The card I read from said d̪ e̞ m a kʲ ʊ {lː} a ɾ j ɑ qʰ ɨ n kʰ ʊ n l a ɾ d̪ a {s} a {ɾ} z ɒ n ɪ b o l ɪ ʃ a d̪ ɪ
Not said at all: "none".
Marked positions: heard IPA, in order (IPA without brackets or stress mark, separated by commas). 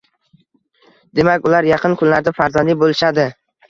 l, f, ɾ